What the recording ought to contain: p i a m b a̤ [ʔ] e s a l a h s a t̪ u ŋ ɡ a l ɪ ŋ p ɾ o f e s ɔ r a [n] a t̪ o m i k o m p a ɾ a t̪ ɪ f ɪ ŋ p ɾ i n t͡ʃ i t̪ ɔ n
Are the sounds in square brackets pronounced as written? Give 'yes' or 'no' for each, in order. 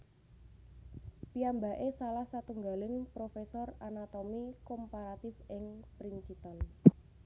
yes, yes

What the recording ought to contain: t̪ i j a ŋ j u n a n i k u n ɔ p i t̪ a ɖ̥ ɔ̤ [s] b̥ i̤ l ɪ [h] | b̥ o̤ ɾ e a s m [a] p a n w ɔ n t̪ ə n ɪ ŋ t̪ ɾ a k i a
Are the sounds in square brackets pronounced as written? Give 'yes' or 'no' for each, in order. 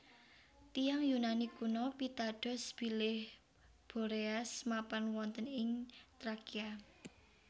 yes, yes, yes

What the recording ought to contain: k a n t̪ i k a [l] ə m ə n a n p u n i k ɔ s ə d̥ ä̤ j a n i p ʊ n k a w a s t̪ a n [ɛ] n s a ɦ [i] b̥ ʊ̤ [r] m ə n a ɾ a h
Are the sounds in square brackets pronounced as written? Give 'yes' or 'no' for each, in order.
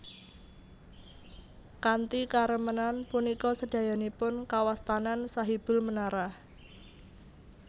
no, no, yes, no

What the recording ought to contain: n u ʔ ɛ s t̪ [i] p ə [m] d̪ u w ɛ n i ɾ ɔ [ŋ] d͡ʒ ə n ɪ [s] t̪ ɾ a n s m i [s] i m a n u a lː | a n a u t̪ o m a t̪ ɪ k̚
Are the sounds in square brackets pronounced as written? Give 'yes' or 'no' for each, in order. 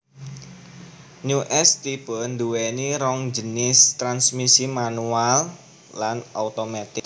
yes, no, yes, yes, yes

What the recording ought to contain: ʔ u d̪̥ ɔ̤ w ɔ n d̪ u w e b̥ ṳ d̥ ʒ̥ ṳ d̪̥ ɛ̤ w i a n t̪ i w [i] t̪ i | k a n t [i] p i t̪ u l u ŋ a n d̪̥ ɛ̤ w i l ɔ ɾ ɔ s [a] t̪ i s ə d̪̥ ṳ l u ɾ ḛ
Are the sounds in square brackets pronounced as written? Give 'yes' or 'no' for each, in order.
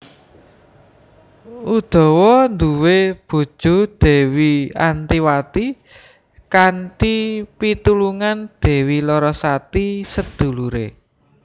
no, yes, yes

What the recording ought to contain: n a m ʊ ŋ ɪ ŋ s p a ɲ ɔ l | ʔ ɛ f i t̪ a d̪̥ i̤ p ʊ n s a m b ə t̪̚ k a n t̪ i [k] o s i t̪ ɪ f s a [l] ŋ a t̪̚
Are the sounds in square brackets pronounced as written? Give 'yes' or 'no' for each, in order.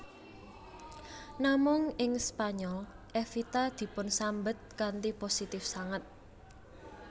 no, no

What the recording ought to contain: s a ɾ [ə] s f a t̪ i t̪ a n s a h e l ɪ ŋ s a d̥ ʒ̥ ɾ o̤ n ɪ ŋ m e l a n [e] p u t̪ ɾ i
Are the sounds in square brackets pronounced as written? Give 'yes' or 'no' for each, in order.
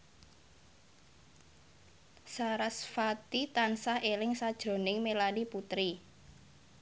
no, no

